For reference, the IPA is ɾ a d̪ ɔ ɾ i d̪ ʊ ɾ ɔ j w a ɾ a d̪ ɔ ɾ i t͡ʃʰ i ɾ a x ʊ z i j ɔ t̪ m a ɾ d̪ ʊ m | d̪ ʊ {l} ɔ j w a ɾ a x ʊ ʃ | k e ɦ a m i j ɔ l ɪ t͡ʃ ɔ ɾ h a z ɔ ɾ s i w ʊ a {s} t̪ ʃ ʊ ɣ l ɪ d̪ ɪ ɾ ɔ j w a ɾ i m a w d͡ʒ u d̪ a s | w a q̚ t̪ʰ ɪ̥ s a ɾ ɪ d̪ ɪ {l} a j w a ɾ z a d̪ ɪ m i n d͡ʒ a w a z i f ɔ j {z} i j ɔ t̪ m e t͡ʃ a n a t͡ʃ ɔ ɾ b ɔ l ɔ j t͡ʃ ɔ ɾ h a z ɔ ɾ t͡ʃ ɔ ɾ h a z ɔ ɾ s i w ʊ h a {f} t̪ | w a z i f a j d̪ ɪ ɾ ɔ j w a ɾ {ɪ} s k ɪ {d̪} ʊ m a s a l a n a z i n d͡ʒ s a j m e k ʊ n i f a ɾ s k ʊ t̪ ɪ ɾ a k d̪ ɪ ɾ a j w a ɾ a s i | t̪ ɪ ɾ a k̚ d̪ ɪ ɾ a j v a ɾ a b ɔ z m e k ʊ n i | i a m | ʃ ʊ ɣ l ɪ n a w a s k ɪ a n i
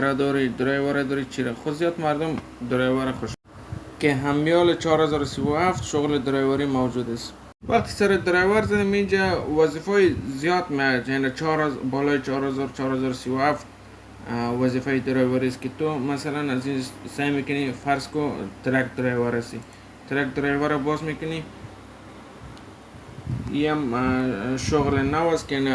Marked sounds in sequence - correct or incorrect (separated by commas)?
incorrect, incorrect, incorrect, correct, correct, incorrect, incorrect